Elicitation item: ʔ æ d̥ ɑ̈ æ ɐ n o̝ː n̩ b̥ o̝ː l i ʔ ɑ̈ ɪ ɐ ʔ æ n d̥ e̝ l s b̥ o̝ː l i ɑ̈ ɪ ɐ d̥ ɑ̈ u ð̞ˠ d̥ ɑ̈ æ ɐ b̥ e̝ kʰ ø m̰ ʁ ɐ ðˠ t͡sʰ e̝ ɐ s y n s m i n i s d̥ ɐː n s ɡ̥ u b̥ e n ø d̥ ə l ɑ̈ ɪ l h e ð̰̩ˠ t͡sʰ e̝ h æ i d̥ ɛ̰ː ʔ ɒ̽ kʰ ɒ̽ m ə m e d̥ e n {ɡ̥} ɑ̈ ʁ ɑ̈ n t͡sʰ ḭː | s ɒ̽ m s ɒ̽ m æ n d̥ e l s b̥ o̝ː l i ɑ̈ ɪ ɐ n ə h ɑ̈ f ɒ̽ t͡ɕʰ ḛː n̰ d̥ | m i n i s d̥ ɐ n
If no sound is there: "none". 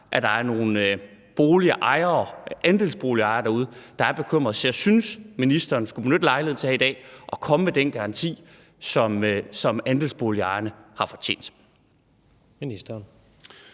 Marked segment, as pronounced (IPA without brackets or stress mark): ɡ̥